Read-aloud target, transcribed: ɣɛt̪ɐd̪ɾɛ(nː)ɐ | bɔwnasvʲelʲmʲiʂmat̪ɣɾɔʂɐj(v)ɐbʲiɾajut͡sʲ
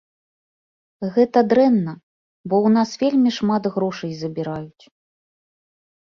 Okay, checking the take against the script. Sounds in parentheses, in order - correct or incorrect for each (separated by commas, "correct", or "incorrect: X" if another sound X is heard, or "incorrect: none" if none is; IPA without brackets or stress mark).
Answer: correct, incorrect: z